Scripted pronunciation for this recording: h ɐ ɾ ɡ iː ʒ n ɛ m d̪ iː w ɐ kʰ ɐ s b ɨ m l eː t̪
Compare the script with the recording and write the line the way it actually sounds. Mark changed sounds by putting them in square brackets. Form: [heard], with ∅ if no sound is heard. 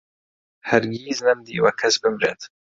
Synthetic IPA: h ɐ ɾ ɡ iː [z] n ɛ m d̪ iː w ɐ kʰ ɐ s b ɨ m [ɾ] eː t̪